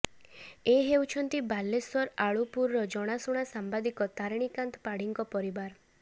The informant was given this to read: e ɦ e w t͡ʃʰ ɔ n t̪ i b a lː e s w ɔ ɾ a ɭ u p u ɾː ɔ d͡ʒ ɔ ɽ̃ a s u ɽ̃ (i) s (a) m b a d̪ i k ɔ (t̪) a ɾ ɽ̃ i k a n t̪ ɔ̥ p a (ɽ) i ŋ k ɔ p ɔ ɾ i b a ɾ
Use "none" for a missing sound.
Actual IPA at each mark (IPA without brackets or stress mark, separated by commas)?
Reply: a, a, t̪, ɽ